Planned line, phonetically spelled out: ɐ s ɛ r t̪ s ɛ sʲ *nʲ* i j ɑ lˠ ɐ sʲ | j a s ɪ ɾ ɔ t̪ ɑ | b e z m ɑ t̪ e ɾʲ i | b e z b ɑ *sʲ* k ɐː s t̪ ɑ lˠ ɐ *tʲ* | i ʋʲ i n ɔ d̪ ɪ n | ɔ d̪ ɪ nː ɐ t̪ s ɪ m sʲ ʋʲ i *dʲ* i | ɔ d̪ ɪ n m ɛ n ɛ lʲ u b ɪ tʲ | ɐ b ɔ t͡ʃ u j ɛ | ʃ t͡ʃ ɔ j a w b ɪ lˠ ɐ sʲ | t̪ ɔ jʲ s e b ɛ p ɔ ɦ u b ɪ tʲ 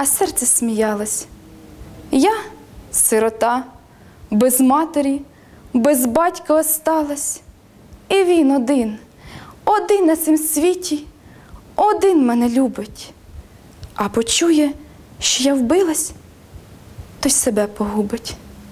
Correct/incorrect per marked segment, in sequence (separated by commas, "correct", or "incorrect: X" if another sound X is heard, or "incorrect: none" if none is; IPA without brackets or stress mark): incorrect: mʲ, incorrect: tʲ, incorrect: sʲ, incorrect: tʲ